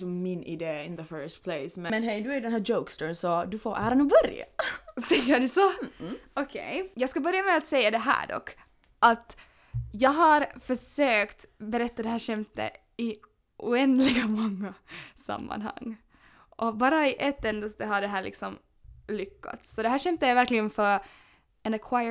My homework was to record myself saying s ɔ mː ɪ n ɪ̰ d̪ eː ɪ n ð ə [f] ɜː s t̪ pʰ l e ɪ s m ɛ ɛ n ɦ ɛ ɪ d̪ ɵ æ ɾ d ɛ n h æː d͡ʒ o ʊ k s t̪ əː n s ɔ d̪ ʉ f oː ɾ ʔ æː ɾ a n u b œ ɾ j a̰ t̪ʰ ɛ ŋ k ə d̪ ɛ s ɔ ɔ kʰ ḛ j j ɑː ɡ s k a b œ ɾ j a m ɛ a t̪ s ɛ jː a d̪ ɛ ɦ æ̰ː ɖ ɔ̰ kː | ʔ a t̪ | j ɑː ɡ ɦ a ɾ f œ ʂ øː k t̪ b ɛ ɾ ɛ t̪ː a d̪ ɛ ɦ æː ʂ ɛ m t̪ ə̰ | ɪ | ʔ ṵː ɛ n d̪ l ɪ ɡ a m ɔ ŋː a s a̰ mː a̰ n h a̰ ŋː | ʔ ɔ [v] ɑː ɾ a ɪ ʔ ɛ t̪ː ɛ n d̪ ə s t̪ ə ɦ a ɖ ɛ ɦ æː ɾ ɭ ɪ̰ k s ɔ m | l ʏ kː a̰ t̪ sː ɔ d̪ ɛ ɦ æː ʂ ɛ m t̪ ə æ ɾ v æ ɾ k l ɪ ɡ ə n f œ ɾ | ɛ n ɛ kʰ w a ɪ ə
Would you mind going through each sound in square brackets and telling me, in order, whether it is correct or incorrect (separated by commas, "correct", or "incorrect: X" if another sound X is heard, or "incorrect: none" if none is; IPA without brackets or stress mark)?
correct, incorrect: b